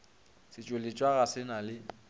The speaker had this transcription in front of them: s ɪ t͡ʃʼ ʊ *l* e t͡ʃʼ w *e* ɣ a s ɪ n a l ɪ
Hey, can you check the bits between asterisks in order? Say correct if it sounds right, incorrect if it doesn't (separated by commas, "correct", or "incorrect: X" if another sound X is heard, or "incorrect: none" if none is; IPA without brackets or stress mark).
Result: correct, incorrect: a